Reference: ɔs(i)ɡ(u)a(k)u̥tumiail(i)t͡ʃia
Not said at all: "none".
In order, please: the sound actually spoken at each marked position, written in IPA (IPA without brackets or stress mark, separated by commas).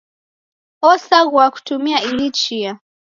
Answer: a, w, k, i